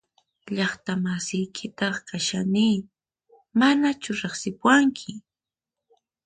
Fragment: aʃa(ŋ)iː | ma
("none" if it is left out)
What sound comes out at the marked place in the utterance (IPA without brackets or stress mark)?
n